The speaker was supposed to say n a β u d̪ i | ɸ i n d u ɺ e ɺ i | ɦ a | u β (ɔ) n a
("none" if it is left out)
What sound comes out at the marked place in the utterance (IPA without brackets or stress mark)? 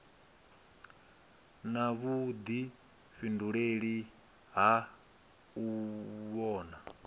ɔː